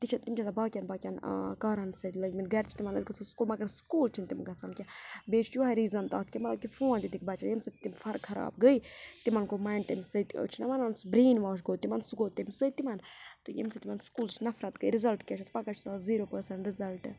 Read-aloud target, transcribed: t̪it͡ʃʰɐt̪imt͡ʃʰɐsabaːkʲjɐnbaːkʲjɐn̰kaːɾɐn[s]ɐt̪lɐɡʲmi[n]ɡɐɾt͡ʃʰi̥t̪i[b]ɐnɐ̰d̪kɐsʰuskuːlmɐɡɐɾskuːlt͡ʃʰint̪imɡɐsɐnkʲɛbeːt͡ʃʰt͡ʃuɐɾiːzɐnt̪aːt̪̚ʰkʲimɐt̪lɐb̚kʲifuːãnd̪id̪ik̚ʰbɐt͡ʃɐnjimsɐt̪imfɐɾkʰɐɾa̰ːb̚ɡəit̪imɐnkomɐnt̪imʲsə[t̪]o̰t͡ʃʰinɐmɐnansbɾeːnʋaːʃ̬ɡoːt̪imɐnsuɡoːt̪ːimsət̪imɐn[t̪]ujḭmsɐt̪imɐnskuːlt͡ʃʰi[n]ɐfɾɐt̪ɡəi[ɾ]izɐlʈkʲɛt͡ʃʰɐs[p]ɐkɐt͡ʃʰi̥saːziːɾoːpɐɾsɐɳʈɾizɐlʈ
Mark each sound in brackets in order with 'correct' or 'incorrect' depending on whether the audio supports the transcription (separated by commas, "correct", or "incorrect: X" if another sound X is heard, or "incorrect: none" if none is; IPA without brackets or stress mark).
correct, correct, incorrect: m, correct, correct, correct, correct, correct